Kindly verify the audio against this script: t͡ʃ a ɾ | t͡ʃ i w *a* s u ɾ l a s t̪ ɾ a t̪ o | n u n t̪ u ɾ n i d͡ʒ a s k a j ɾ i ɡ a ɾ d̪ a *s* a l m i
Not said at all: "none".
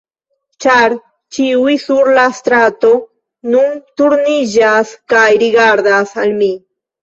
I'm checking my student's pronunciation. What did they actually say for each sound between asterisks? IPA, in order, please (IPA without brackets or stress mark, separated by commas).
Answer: i, s